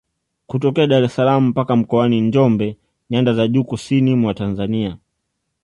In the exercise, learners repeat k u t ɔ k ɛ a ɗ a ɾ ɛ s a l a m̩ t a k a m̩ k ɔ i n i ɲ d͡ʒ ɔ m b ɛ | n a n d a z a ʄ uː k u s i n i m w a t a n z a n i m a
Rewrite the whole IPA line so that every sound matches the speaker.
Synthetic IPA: k u t ɔ k ɛ a ɗ a ɾ ɛ s a l a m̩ p a k a m̩ k ɔ a n i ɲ d͡ʒ ɔ m b ɛ | ɲ a n d a z a ʄ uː k u s i n i m w a t a n z a n i a